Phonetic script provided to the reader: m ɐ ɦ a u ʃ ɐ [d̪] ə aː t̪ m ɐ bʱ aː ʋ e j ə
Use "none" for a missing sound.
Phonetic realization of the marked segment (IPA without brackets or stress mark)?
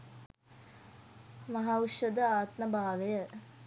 d̪